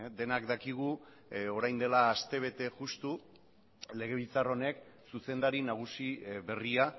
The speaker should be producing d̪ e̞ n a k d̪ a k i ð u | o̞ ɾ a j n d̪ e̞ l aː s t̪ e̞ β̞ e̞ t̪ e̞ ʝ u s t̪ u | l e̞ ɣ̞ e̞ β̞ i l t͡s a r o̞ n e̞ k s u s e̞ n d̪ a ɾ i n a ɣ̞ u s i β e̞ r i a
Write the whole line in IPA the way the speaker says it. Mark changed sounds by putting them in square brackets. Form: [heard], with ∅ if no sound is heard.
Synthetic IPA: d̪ e̞ n a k d̪ a k i [ɣ] u | o̞ ɾ a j n d̪ e̞ l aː s t̪ e̞ β̞ e̞ t̪ e̞ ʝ u s t̪ u | l e̞ ɣ̞ e̞ β̞ i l t͡s a r o̞ n e̞ k s u s e̞ n d̪ a ɾ i n a ɣ̞ u s i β e̞ r i a